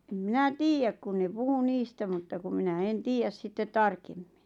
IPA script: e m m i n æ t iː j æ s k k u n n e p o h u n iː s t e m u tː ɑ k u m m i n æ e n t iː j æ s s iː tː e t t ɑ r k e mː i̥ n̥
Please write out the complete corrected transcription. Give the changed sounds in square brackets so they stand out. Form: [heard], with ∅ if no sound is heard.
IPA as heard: e m m i n æ t iː j æ [∅] k k u n n e p [u] h u n iː s t [æ] m u tː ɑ k u m m i n æ e n t iː j æ s s [i] tː e t t ɑ r k e mː i̥ n̥